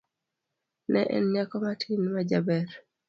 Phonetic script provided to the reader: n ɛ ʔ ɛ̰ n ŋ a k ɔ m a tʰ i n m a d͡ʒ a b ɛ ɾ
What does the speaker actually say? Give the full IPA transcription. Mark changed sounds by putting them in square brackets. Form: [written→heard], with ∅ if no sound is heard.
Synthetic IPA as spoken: n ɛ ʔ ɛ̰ n [ŋ→ɲ] a k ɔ m a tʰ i n m a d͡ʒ a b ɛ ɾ